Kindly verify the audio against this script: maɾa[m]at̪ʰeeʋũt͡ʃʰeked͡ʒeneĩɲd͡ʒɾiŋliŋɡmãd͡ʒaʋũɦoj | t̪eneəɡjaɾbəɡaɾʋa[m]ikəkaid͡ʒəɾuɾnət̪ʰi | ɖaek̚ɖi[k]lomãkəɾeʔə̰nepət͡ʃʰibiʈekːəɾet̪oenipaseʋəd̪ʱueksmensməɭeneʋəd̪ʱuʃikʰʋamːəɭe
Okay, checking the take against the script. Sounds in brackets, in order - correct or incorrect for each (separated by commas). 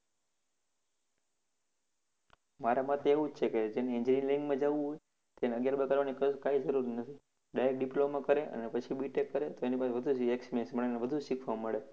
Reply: correct, incorrect, incorrect